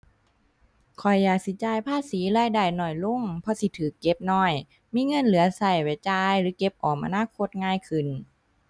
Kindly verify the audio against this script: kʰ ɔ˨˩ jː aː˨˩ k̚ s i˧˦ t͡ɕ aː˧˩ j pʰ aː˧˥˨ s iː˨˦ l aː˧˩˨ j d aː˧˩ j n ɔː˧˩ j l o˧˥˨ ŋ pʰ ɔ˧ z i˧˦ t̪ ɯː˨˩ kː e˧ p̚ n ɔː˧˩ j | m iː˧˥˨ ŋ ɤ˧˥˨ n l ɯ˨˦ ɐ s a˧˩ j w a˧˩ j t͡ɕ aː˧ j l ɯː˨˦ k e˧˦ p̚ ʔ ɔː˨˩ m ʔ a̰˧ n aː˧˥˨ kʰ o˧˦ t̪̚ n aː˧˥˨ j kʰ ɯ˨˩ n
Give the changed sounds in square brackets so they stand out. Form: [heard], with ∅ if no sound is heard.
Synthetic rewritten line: kʰ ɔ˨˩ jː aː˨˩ k̚ s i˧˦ t͡ɕ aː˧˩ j pʰ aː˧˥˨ s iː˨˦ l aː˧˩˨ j d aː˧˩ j n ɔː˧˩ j l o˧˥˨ ŋ pʰ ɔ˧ [s] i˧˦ [t̪ʰ] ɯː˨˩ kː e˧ p̚ n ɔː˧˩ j | m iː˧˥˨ ŋ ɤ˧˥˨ n l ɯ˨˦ ɐ s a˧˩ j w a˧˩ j t͡ɕ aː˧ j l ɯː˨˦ k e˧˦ p̚ ʔ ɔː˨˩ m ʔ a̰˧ n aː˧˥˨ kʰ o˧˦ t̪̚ [ŋ] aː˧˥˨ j kʰ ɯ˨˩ n